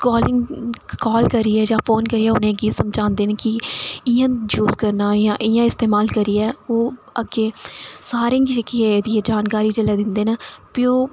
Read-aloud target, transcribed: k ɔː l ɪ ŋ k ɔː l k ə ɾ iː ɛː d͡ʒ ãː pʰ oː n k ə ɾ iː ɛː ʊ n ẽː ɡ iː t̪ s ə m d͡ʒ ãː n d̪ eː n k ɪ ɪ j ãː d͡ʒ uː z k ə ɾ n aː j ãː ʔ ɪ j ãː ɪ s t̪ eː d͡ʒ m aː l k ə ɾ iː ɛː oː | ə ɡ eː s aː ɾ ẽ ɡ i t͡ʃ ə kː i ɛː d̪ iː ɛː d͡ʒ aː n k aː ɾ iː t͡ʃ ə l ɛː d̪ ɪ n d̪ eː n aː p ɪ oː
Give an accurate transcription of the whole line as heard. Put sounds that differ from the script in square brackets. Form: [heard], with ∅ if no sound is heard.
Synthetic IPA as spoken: k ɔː l ɪ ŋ k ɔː l k ə ɾ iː ɛː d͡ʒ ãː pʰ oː n k ə ɾ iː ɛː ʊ n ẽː ɡ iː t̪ s ə m d͡ʒ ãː n d̪ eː n k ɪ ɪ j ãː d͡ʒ uː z k ə ɾ n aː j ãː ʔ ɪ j ãː ɪ s t̪ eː [∅] m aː l k ə ɾ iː ɛː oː | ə ɡ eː s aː ɾ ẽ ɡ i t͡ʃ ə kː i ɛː d̪ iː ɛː d͡ʒ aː n k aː ɾ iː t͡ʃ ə l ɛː d̪ ɪ n d̪ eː n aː p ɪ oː